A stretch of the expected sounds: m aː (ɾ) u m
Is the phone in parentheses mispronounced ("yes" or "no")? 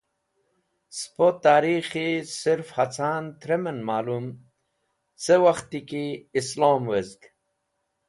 yes